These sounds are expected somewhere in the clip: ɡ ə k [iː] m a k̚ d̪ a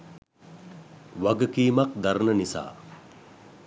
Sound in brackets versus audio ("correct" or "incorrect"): correct